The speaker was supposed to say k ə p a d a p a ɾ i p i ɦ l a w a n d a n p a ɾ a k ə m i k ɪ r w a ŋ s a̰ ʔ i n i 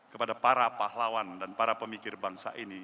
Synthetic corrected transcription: k ə p a d a p a ɾ a p a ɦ l a w a n d a n p a ɾ a p ə m i k ɪ r b a ŋ s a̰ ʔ i n i